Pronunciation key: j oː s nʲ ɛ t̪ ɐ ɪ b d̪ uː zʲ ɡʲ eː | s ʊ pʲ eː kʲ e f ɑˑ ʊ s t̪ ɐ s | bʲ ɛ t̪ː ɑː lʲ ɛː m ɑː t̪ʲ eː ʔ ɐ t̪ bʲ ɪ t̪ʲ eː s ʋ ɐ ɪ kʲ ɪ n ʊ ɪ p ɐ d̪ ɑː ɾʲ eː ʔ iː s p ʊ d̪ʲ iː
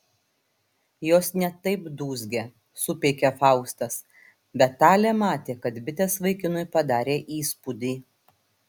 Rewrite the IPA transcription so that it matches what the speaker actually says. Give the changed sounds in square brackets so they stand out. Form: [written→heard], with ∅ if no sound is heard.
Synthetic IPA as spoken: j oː s nʲ ɛ t̪ ɐ ɪ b d̪ uː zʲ ɡʲ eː | s ʊ pʲ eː kʲ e f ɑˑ ʊ s t̪ ɐ s | bʲ ɛ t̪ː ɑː lʲ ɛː m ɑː t̪ʲ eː [ʔ→k] ɐ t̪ bʲ ɪ t̪ʲ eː s ʋ ɐ ɪ kʲ ɪ n ʊ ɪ p ɐ d̪ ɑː ɾʲ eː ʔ iː s p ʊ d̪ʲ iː